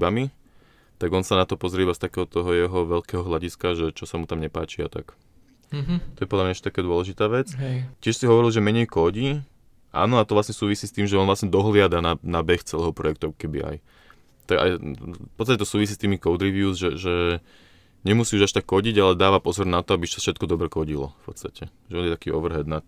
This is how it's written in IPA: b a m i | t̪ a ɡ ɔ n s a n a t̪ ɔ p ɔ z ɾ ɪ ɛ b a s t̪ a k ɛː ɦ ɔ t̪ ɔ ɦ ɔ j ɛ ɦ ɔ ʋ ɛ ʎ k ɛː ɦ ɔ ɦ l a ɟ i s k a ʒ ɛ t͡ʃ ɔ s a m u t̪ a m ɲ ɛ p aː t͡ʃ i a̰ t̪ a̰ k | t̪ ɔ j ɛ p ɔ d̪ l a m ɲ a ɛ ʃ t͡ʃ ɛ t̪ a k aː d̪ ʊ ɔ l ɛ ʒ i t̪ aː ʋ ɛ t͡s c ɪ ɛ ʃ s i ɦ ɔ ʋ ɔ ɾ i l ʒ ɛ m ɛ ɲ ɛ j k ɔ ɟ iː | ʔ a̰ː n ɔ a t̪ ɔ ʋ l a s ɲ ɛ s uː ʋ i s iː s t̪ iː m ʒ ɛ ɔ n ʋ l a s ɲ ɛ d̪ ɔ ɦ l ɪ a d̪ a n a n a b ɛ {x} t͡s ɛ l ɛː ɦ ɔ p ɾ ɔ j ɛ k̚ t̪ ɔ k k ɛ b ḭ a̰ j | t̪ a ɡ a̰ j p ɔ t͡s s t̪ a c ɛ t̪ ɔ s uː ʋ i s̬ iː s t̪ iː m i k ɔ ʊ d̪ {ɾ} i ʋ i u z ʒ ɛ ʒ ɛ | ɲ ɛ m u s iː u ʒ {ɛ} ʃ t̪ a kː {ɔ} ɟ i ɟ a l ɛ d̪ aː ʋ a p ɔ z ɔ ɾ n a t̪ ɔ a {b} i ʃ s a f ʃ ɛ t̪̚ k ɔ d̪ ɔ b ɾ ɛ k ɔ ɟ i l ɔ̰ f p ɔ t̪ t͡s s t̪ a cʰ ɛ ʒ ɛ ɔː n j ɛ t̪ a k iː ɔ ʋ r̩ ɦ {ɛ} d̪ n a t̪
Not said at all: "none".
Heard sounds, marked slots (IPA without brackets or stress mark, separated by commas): x, ɾ, a, ɔ, b, ɛ